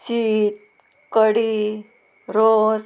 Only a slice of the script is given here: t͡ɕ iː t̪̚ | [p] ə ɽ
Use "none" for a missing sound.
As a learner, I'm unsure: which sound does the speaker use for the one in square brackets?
k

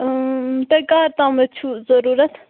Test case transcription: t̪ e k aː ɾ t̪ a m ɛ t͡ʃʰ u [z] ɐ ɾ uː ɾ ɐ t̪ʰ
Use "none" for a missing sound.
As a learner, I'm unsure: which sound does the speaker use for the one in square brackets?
z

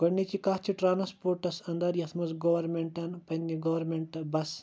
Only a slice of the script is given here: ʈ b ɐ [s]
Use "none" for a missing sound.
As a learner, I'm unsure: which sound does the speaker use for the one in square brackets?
s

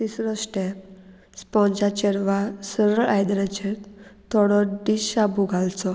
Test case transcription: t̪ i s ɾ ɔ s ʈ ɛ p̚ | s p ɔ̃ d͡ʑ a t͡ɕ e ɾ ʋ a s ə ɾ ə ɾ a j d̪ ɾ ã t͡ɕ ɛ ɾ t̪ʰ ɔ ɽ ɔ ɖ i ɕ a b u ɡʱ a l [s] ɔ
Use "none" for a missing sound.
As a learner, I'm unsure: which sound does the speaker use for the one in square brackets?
t͡s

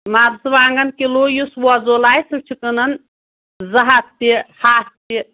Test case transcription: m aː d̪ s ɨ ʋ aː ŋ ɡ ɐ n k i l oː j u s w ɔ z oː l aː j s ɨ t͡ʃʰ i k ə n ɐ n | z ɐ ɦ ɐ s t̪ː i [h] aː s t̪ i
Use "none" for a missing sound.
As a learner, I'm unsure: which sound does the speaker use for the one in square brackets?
h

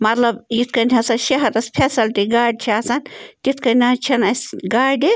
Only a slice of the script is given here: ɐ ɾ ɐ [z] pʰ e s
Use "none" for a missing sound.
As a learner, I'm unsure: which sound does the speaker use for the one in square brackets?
s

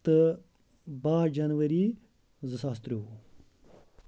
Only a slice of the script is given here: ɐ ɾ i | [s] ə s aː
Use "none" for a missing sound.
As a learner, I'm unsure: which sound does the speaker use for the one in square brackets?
z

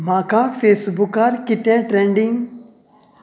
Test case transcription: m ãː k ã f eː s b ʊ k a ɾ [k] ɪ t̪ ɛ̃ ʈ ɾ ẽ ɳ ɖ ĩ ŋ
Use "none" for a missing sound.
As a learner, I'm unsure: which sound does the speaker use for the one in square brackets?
k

